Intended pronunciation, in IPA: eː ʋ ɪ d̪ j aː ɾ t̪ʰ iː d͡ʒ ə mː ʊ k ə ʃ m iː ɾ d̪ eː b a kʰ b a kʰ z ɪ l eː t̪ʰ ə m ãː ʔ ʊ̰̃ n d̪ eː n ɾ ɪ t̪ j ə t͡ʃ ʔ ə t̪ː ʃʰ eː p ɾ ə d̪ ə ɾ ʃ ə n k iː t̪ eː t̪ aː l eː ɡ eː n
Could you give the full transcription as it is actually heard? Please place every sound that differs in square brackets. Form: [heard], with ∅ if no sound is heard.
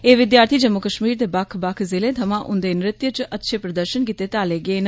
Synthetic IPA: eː ʋ ɪ d̪ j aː ɾ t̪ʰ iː d͡ʒ ə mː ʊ k ə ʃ m iː ɾ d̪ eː b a kʰ b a kʰ z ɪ l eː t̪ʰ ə m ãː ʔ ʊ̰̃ n d̪ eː n ɾ ɪ t̪ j ə t͡ʃ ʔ ə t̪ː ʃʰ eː p ɾ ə d̪ ə ɾ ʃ ə n k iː t̪ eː t̪ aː l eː ɡ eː n